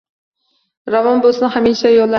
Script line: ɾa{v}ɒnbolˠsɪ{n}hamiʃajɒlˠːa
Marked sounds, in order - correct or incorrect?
correct, correct

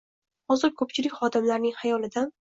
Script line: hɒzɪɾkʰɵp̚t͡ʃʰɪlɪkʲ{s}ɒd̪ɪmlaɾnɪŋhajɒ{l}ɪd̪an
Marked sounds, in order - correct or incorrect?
incorrect, correct

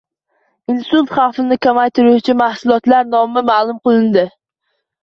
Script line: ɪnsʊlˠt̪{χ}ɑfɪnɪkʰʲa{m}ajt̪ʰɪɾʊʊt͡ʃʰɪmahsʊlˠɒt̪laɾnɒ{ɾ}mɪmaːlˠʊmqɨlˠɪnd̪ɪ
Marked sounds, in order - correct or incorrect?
correct, correct, incorrect

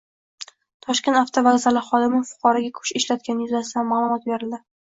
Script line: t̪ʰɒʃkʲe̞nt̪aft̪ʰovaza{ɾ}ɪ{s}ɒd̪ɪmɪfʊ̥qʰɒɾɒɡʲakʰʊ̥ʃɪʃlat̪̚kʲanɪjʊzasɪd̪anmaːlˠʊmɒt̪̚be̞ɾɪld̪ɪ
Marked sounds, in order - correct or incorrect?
incorrect, incorrect

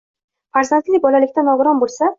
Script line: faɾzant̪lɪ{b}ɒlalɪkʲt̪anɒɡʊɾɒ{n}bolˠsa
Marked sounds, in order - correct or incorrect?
correct, correct

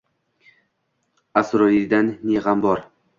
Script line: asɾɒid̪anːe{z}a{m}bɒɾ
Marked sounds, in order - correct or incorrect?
incorrect, correct

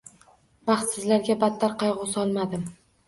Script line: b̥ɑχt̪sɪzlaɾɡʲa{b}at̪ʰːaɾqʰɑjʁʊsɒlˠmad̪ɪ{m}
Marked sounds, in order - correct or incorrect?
correct, correct

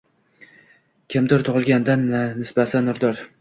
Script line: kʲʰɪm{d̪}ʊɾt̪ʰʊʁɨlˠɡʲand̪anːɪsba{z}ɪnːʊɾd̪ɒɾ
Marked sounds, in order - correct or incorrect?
correct, incorrect

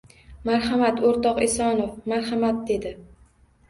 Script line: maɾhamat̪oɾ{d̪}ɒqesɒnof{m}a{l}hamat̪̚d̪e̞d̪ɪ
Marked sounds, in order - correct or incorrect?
incorrect, correct, incorrect

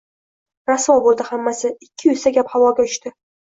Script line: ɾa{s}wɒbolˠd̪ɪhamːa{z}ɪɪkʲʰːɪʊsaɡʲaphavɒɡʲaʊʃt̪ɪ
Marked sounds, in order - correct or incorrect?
correct, incorrect

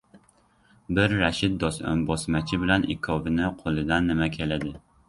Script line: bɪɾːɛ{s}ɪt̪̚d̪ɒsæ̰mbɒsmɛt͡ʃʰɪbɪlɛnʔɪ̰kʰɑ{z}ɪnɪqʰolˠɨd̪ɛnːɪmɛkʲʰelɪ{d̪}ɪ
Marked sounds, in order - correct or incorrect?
incorrect, incorrect, correct

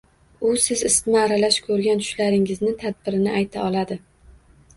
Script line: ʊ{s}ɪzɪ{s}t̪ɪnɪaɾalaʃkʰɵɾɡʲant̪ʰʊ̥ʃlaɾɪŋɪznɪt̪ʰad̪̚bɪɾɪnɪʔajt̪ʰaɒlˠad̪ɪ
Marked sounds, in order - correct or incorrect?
correct, correct

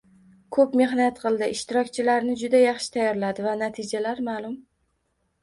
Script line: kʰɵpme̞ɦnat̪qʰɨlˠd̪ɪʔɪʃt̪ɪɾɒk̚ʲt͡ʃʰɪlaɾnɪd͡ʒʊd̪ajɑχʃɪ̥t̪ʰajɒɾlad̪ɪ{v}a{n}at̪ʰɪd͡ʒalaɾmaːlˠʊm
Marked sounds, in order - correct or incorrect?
correct, correct

